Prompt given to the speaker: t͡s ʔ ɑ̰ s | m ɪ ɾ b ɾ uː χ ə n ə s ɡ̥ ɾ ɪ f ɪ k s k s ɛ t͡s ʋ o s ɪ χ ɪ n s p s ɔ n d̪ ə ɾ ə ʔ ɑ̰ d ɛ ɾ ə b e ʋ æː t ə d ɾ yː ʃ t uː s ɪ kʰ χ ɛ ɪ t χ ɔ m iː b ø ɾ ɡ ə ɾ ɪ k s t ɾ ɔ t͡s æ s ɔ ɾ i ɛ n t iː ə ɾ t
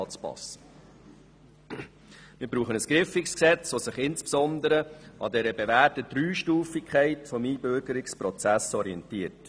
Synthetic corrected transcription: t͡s p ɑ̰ s | m ɪ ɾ b ɾ uː χ ə n ə s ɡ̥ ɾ ɪ f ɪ k s k s ɛ t͡s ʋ o s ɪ χ ɪ n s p s ɔ n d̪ ə ɾ ə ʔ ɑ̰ d ɛ ɾ ə b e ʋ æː t ə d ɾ yː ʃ t uː f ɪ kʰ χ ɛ ɪ t f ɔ m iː b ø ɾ ɡ ə ɾ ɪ k s p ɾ ɔ t͡s æ s ɔ ɾ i ɛ n t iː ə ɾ t